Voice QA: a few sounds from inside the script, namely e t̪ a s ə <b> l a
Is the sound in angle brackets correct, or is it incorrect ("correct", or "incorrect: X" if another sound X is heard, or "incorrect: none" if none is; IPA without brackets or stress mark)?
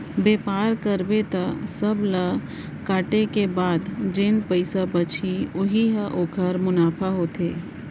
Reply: correct